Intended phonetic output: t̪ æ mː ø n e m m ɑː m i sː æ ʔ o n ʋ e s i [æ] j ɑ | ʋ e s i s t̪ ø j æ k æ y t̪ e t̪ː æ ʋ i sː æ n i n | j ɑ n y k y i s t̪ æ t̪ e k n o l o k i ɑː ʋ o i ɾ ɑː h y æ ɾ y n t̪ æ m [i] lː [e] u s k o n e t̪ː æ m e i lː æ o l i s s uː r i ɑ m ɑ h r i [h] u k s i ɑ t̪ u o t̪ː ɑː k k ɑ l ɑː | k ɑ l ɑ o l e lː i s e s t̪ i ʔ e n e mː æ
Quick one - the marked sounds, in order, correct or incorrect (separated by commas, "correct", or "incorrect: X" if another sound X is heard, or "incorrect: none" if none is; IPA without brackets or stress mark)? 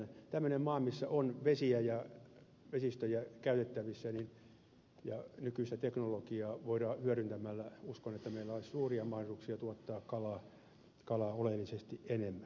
correct, incorrect: æ, incorrect: æ, incorrect: s